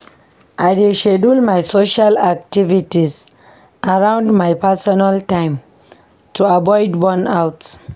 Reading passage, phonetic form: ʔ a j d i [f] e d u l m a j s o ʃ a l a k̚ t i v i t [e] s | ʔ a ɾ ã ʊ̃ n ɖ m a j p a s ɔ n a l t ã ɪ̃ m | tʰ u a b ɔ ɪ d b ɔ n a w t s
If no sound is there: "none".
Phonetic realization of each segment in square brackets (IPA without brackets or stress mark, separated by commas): ʃ, i